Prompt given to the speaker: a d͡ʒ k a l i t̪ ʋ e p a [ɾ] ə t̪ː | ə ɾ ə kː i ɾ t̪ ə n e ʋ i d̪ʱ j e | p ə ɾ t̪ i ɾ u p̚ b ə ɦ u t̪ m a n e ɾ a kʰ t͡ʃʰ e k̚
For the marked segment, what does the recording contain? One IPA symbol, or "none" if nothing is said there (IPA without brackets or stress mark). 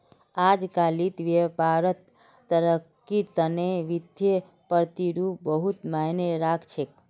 ɾ